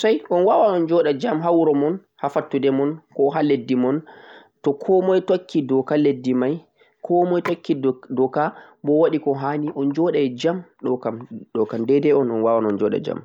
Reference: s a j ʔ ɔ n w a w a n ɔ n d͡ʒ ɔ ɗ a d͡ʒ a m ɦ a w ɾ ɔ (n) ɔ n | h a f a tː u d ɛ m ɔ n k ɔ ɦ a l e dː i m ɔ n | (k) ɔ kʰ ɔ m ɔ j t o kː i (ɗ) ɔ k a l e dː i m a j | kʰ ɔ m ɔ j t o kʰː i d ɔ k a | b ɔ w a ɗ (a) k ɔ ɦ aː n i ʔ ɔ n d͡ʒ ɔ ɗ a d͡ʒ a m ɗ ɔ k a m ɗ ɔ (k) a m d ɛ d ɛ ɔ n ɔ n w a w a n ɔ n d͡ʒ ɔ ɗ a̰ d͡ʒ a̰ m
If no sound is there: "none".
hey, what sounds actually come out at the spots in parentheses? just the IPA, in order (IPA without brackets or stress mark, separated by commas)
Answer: m, t, d, i, k